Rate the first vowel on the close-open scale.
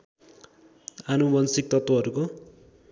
open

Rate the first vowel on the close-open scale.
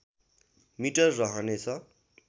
close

